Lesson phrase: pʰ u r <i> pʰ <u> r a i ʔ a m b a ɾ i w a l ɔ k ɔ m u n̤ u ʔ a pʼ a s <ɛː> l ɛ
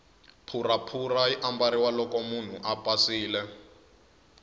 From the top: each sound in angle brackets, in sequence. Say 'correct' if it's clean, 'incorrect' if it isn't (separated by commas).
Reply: incorrect, correct, incorrect